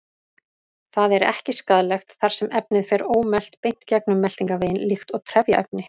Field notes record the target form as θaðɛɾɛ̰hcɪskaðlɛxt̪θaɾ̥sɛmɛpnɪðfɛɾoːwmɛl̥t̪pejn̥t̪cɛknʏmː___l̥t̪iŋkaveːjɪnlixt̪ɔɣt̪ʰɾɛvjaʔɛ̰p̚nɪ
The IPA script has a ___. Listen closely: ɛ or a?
ɛ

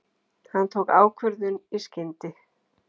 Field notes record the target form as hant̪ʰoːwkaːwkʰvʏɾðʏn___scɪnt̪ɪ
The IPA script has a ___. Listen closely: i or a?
i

